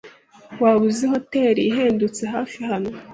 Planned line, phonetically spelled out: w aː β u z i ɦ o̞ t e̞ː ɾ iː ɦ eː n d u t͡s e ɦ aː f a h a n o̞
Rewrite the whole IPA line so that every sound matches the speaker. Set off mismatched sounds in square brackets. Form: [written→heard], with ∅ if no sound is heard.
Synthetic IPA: w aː β u z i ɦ o̞ t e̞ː ɾ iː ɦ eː n d u t͡s e ɦ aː f [a→i] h a n o̞